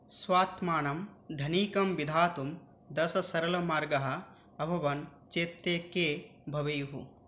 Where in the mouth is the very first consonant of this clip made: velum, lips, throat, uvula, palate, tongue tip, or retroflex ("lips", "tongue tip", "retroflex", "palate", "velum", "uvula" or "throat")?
tongue tip